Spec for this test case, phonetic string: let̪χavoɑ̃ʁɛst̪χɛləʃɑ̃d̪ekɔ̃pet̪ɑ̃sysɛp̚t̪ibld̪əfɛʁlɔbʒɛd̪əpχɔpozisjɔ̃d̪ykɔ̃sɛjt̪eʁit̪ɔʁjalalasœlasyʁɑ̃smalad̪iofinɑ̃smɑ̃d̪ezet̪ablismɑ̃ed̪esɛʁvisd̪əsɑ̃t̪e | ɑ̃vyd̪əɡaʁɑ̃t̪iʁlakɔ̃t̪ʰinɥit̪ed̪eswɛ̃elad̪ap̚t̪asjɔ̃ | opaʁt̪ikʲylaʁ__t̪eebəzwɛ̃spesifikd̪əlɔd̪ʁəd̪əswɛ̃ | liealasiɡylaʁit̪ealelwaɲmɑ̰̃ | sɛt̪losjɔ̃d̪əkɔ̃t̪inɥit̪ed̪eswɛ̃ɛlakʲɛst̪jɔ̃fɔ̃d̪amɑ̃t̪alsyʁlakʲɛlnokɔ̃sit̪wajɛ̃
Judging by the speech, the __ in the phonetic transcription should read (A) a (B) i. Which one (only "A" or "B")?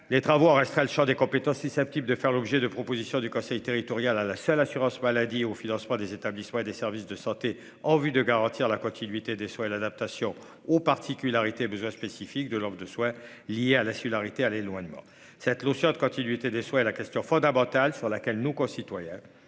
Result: B